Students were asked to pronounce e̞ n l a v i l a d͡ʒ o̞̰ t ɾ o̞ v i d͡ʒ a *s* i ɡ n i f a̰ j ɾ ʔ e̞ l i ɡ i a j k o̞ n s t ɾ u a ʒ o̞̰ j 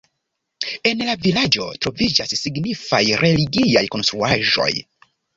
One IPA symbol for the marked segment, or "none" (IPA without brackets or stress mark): sː